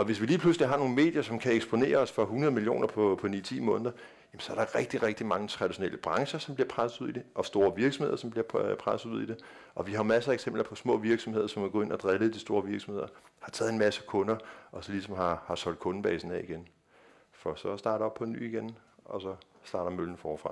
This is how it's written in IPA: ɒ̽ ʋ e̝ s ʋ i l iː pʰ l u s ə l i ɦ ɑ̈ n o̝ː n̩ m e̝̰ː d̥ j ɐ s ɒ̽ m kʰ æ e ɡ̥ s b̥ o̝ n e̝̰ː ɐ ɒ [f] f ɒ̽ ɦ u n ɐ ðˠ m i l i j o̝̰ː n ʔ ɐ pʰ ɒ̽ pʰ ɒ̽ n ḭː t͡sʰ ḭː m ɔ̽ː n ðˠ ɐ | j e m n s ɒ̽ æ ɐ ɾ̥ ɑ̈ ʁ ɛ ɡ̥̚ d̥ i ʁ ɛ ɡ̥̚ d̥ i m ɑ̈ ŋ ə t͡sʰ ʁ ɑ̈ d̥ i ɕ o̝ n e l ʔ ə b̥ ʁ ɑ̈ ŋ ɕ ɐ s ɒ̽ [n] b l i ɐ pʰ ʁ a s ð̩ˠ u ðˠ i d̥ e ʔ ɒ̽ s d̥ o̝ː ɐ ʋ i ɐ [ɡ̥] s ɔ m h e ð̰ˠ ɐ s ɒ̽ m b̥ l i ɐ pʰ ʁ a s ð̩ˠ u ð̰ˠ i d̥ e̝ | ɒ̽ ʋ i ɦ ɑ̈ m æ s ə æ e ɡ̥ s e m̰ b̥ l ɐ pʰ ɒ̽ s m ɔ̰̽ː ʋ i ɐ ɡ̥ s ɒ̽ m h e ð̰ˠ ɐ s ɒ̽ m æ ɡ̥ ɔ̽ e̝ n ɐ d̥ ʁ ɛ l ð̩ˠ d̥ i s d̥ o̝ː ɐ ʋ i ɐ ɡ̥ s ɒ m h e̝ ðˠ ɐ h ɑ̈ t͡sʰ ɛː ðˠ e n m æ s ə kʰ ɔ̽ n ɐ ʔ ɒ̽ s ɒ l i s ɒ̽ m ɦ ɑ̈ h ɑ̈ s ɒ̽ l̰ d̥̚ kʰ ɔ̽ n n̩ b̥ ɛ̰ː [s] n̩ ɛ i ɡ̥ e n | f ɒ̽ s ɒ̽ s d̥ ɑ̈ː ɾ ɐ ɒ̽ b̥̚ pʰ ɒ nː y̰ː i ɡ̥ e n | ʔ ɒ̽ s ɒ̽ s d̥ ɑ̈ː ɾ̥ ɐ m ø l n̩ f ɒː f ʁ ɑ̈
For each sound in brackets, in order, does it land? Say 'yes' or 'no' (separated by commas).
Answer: no, no, yes, yes